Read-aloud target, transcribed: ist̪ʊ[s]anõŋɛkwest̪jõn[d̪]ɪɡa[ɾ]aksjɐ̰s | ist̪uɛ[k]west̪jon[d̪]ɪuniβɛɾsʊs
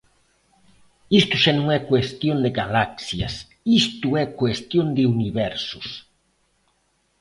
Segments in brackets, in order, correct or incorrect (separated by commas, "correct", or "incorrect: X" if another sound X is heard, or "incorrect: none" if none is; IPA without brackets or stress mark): incorrect: ʃ, correct, incorrect: l, correct, correct